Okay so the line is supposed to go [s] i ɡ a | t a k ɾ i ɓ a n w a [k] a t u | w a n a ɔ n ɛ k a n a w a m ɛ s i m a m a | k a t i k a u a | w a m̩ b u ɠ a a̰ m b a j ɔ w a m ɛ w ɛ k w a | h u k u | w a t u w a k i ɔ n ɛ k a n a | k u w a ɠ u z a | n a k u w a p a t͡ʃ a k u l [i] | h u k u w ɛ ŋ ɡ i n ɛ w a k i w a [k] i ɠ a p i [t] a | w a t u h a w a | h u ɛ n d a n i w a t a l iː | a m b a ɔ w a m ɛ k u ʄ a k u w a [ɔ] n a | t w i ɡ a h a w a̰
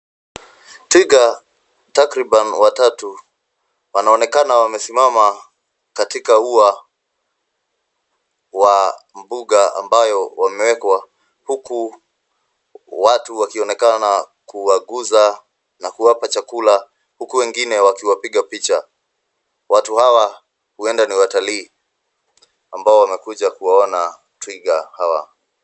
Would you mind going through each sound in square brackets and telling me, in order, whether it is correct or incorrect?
incorrect, incorrect, incorrect, incorrect, incorrect, correct

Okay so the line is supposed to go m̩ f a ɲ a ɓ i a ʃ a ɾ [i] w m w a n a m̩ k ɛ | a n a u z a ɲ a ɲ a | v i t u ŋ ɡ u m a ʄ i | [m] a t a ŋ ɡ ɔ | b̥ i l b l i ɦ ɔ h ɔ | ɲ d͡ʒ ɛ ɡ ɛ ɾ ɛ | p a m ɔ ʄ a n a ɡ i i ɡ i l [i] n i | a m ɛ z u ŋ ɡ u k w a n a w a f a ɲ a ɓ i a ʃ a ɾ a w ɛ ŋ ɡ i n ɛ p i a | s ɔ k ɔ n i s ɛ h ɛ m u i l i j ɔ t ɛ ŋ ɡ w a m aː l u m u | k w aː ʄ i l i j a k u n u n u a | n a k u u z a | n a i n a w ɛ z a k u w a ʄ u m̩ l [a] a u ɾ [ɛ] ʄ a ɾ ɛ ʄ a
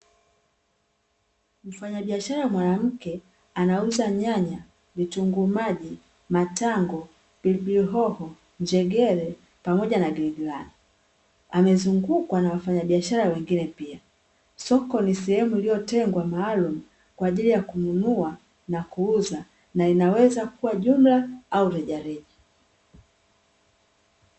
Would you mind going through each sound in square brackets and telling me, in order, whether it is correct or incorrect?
incorrect, correct, incorrect, correct, correct

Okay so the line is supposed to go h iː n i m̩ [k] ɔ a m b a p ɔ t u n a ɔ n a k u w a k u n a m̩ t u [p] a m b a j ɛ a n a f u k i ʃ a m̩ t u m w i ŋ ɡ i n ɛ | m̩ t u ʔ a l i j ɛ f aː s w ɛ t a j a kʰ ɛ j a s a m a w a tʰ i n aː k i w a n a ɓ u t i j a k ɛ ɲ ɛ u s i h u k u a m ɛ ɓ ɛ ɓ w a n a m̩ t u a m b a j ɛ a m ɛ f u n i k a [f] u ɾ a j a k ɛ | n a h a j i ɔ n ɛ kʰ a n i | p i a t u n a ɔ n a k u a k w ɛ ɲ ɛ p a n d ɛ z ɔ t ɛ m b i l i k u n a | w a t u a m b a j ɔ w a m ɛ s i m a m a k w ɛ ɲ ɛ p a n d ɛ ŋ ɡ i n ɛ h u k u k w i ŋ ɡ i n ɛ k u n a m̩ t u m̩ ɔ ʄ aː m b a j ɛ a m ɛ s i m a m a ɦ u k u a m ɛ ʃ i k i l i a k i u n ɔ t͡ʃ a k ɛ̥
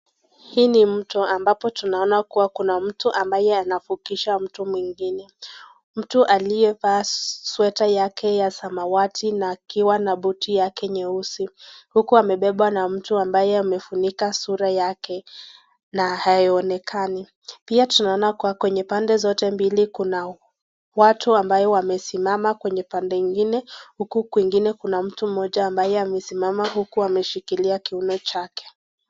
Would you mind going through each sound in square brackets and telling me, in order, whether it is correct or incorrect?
incorrect, incorrect, incorrect

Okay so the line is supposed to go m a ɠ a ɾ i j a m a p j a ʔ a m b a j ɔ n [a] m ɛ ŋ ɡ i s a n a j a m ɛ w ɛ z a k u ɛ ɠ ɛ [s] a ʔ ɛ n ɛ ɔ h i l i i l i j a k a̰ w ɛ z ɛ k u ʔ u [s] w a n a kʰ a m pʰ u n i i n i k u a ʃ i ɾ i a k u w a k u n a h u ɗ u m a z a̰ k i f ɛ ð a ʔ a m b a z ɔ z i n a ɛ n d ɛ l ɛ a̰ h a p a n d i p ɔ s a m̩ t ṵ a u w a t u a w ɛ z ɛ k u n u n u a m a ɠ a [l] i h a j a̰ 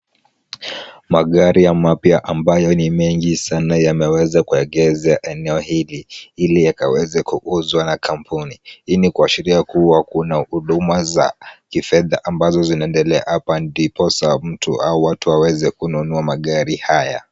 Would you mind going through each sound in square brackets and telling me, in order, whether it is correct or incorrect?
incorrect, incorrect, incorrect, incorrect

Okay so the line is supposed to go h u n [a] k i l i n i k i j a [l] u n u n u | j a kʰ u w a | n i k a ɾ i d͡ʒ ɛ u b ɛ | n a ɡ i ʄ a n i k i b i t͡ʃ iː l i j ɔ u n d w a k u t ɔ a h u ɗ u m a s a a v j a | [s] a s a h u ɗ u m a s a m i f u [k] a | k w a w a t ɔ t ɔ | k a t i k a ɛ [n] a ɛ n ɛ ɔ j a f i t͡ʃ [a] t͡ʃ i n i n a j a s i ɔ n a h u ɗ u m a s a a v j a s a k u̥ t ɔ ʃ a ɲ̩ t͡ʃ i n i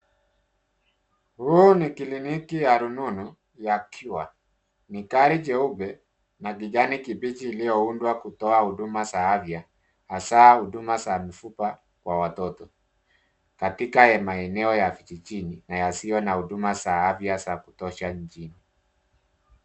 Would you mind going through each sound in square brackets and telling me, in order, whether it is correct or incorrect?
incorrect, incorrect, incorrect, incorrect, incorrect, incorrect

